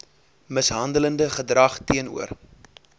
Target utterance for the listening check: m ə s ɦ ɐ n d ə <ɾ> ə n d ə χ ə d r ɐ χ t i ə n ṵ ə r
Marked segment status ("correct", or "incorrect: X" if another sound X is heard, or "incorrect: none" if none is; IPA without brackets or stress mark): incorrect: l